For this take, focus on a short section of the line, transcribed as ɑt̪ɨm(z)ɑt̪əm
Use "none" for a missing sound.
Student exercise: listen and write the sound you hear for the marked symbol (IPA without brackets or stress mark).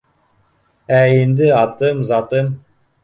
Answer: z